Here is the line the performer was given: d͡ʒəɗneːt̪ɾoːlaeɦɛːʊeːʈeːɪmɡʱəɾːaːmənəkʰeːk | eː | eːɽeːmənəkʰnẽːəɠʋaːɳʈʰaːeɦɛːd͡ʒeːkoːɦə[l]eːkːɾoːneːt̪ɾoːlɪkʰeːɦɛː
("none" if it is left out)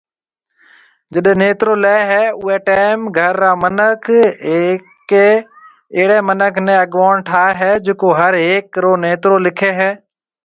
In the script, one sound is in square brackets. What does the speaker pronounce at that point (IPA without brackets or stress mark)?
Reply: ɾ